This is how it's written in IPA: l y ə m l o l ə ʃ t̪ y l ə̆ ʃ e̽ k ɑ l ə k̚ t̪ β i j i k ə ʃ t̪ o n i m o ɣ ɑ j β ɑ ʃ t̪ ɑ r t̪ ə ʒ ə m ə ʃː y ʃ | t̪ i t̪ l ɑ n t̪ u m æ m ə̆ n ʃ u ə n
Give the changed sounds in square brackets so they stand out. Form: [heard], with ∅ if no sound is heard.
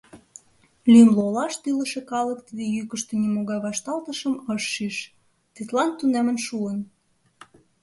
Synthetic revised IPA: l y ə m l o l [ɑ] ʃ t̪ y l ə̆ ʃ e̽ k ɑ l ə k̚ t̪ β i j [y] k ə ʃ t̪ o n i m o ɣ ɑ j β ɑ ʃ t̪ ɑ [l] t̪ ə [ʃ] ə m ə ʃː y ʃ | t̪ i t̪ l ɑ n t̪ u [n] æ m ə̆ n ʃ u ə n